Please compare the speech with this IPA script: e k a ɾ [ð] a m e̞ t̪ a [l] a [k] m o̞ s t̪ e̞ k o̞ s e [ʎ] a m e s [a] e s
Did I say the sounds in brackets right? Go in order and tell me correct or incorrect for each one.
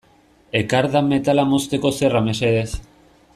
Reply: correct, correct, incorrect, incorrect, incorrect

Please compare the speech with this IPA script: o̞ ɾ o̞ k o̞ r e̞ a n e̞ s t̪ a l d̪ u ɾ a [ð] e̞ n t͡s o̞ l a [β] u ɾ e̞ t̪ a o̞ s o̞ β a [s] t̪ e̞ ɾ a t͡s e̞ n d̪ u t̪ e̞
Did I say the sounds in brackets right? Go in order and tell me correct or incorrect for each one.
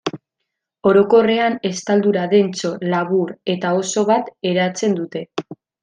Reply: correct, correct, incorrect

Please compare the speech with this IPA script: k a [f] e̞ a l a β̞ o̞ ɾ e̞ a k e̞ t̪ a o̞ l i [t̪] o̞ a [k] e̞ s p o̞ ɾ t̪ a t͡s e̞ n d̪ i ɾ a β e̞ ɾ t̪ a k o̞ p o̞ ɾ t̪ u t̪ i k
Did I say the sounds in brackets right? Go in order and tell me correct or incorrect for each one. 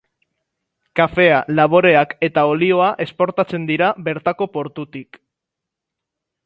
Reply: correct, incorrect, incorrect

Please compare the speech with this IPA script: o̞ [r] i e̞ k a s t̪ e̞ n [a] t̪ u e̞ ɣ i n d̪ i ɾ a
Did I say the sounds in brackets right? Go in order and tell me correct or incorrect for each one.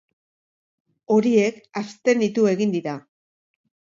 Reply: incorrect, incorrect

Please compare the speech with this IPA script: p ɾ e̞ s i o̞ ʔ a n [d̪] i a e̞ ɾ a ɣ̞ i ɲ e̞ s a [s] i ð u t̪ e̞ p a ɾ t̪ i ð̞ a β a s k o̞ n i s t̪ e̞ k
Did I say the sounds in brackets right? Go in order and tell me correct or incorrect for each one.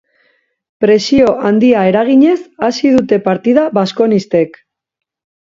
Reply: correct, correct

